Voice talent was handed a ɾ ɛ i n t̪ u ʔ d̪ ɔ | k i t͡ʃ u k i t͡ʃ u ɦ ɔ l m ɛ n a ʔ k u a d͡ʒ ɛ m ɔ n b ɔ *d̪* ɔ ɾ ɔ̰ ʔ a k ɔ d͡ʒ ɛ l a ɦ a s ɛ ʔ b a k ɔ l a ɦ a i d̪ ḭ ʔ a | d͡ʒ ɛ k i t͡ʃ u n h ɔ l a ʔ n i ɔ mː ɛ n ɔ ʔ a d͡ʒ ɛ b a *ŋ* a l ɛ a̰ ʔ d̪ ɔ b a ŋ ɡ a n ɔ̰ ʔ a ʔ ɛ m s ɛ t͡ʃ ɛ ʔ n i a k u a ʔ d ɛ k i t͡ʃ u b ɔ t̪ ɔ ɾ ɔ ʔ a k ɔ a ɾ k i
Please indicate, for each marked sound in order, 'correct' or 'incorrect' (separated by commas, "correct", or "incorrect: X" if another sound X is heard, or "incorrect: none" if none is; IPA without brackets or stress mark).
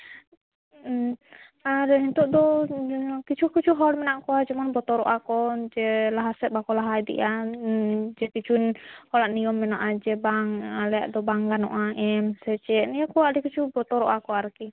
incorrect: t̪, correct